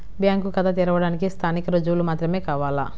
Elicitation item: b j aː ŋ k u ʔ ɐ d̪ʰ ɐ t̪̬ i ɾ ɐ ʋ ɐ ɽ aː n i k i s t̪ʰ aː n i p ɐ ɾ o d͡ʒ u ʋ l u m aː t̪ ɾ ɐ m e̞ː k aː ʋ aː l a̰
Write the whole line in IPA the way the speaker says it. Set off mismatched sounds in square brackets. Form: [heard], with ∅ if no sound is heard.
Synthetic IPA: b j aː ŋ k u [k] ɐ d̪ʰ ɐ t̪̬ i ɾ ɐ ʋ ɐ ɽ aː n i k i s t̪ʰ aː n i [k] ɐ ɾ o d͡ʒ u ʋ l u m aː t̪ ɾ ɐ m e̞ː k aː ʋ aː l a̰